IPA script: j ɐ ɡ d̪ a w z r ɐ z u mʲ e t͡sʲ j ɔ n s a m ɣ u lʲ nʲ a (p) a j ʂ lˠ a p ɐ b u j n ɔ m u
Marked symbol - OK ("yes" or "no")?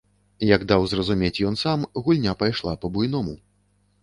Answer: yes